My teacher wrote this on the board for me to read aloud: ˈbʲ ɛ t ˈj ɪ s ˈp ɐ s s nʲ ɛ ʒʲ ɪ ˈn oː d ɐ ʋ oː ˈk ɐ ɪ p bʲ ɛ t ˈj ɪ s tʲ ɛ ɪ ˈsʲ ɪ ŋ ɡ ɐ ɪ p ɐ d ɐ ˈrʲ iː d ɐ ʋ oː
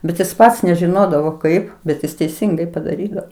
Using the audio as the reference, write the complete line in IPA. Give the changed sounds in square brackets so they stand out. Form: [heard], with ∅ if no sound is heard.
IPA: ˈbʲ ɛ t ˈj ɪ s ˈp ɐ [t] s nʲ ɛ ʒʲ ɪ ˈn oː d ɐ ʋ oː ˈk ɐ ɪ p bʲ ɛ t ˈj ɪ s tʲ ɛ ɪ ˈsʲ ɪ ŋ ɡ ɐ ɪ p ɐ d ɐ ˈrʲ iː d ɐ ʋ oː